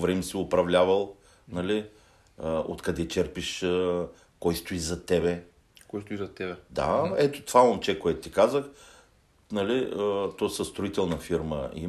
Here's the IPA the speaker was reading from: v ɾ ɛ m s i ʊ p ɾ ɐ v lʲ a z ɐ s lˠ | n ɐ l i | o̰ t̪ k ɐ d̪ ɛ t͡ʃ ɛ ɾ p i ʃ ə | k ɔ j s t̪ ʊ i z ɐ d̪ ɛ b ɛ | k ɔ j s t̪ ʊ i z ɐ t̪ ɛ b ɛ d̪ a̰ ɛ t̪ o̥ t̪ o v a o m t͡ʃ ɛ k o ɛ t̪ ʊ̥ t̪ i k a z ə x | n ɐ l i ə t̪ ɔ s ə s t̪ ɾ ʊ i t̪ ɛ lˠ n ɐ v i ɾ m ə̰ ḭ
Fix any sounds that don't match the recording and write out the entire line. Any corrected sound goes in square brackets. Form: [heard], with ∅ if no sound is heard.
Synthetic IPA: v ɾ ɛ m s i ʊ p ɾ ɐ v lʲ a [v] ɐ [∅] lˠ | n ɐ l i | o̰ t̪ k ɐ d̪ ɛ t͡ʃ ɛ ɾ p i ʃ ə | k ɔ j s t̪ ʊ i z ɐ [t̪] ɛ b ɛ | k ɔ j s t̪ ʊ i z ɐ t̪ ɛ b ɛ d̪ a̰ ɛ t̪ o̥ t̪ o v a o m t͡ʃ ɛ k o ɛ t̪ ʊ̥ t̪ i k a z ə x | n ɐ l i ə t̪ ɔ s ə s t̪ ɾ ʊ i t̪ ɛ lˠ n ɐ [f] i ɾ m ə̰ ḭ